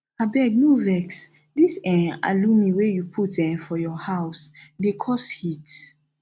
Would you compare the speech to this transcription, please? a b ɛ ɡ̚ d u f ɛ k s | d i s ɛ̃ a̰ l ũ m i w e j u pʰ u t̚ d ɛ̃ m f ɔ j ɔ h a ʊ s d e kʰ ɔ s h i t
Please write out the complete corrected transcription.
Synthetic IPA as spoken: a b ɛ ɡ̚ n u v ɛ k s | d i s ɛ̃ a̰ l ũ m i w e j u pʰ u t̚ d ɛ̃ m f ɔ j ɔ h a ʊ s d e kʰ ɔ s h i t